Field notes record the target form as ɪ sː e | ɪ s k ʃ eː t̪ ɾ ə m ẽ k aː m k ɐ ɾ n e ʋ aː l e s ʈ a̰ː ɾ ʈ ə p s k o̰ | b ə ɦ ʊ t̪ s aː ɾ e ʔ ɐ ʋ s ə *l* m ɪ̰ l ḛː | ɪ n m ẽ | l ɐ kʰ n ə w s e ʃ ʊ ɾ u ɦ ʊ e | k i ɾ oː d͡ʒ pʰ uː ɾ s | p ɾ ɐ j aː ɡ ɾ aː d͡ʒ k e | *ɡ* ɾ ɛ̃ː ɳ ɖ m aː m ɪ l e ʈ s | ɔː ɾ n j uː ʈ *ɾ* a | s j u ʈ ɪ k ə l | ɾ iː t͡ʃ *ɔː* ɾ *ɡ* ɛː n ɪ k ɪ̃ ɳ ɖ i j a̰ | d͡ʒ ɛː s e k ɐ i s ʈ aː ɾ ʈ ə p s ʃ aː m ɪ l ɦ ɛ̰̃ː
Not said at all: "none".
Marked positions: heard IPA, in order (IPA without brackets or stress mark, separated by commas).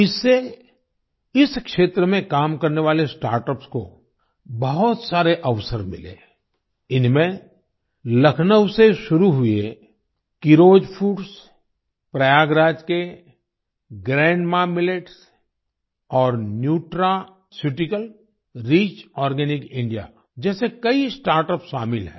ɾ, ɡ, ɾ, ɔː, ɡ